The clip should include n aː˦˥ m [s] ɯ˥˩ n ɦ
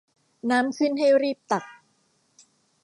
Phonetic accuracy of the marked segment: correct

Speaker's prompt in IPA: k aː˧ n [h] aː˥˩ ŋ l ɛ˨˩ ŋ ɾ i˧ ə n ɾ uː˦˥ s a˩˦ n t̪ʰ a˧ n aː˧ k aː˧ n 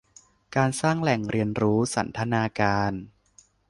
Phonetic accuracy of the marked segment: incorrect: s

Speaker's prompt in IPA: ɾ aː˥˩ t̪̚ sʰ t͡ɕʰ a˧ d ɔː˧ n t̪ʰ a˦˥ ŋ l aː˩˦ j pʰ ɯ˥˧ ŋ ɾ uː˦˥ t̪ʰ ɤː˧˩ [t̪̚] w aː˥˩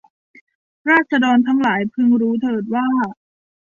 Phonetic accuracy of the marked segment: correct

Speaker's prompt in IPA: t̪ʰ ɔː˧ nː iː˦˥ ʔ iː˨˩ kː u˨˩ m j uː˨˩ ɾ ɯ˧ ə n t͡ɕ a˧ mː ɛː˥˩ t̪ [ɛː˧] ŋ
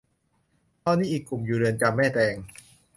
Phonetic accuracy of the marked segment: correct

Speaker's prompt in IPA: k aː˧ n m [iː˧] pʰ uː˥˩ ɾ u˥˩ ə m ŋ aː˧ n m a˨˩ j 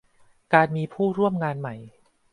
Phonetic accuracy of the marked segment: correct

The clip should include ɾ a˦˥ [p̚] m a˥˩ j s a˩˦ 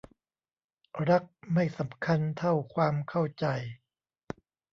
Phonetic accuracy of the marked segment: incorrect: k̚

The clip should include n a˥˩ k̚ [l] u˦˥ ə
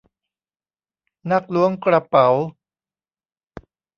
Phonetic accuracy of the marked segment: correct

